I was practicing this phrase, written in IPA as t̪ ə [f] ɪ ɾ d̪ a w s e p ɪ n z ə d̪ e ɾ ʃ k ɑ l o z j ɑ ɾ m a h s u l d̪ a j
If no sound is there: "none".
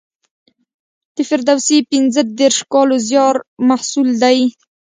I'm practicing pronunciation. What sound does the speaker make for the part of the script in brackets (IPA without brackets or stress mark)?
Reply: f